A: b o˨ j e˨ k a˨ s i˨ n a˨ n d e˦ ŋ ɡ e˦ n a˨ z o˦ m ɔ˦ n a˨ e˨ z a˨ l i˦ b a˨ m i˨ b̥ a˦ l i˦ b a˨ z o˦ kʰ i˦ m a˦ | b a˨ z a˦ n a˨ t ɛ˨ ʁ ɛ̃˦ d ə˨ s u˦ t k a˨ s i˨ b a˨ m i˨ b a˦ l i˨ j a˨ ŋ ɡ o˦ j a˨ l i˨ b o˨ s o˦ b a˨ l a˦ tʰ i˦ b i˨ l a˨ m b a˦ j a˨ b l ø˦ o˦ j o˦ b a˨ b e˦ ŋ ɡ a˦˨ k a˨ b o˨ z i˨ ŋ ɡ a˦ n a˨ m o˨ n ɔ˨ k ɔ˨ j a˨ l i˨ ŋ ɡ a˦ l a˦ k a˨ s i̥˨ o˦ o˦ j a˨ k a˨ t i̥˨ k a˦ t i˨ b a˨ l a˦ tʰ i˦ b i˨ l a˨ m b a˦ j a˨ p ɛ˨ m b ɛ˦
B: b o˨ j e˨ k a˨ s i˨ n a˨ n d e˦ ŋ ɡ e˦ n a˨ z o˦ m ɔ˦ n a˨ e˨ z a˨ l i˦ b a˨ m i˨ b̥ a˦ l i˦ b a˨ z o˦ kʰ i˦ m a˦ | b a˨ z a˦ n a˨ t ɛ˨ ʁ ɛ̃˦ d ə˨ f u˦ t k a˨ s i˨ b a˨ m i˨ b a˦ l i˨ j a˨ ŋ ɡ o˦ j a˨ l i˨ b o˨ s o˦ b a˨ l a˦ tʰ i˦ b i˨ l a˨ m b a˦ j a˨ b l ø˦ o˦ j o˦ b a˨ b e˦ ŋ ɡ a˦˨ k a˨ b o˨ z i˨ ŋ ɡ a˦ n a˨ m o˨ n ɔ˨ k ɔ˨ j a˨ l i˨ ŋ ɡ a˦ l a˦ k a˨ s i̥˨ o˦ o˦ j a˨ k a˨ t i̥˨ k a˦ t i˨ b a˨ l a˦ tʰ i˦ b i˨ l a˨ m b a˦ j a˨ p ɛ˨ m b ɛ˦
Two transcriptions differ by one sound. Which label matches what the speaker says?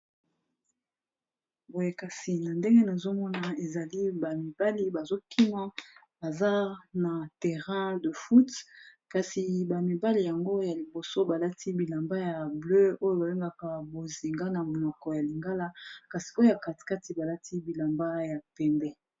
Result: B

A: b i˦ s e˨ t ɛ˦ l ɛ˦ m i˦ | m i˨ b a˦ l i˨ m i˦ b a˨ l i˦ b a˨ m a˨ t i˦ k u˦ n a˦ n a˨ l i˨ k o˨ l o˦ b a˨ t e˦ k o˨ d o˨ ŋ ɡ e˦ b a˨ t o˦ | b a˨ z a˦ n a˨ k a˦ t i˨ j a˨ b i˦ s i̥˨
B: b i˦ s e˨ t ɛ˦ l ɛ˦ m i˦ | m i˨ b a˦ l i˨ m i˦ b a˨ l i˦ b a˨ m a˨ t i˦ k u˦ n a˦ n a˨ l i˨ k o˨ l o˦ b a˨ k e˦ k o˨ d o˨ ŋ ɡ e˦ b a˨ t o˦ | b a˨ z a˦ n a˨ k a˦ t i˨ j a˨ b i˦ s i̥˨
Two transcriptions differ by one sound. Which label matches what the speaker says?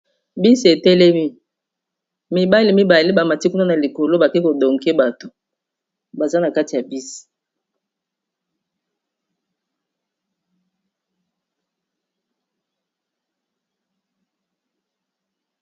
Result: B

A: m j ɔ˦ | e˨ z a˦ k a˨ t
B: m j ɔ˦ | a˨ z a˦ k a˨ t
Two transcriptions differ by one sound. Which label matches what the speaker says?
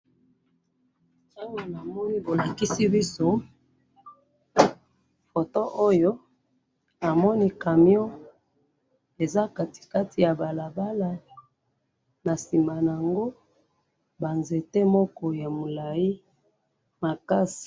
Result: A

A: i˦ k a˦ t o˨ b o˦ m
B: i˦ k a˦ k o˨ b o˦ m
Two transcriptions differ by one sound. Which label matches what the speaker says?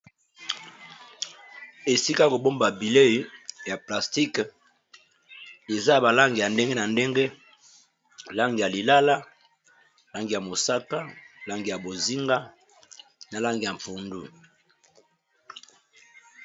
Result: B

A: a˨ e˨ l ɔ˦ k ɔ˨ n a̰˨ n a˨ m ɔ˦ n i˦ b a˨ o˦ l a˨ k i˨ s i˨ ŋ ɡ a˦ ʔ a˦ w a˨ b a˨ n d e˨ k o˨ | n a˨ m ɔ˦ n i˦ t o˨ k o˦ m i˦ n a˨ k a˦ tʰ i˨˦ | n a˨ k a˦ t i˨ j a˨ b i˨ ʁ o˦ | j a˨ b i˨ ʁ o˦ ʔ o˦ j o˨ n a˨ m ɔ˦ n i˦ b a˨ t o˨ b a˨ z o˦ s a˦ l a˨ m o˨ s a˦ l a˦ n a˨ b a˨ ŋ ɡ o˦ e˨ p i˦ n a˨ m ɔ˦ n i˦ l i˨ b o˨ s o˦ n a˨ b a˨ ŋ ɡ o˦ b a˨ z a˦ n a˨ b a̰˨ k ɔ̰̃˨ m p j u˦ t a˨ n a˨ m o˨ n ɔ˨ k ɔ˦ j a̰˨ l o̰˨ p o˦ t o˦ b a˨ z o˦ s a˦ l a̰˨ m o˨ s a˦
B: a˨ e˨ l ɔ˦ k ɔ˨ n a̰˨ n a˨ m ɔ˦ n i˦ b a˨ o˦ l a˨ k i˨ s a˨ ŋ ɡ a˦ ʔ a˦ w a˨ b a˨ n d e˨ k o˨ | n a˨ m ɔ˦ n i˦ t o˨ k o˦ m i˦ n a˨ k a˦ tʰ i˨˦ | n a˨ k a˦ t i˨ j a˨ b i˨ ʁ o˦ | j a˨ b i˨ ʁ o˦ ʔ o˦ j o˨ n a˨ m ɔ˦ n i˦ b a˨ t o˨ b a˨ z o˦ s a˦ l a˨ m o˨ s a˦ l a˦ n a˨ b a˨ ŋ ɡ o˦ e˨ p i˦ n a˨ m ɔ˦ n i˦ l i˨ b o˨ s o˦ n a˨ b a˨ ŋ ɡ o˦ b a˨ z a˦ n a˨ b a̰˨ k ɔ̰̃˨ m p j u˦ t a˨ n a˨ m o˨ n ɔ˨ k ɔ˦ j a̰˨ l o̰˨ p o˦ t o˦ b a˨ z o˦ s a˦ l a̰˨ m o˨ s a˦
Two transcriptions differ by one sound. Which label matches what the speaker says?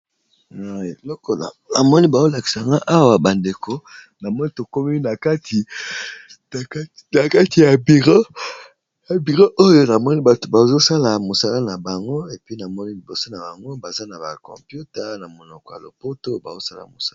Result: B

